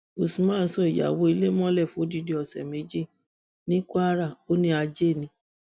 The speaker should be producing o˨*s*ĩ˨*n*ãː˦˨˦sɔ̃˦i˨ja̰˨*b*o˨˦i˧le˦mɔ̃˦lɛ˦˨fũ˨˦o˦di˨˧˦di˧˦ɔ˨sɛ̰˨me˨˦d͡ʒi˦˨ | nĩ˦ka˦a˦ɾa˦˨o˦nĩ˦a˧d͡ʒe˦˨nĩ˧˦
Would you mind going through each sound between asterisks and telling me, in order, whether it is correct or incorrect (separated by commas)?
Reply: correct, incorrect, incorrect